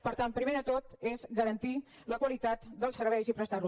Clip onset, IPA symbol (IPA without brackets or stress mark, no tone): p